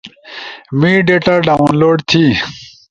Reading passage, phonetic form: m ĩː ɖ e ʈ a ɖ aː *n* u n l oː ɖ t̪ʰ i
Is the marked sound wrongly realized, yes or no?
yes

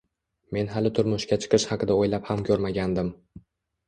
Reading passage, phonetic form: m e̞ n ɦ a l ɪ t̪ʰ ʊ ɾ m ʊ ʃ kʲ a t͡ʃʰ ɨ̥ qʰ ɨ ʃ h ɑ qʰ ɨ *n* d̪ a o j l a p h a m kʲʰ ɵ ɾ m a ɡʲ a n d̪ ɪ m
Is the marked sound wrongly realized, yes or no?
yes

